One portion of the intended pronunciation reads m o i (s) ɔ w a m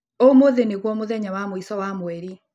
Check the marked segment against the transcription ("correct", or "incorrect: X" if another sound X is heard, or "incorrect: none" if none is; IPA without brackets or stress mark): correct